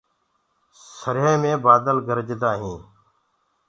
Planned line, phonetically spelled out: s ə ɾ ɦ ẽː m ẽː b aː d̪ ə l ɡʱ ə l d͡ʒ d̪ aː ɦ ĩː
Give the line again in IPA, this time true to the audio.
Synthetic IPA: s ə ɾ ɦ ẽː m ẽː b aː d̪ ə l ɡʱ ə ɾ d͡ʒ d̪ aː ɦ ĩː